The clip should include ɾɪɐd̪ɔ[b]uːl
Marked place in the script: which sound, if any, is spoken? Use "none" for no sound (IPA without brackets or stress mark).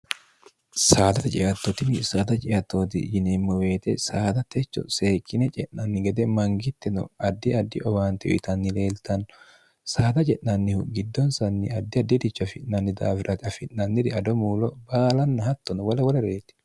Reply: m